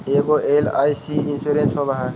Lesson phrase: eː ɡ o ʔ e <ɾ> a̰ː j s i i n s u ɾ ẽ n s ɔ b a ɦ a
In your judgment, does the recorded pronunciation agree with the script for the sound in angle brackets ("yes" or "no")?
no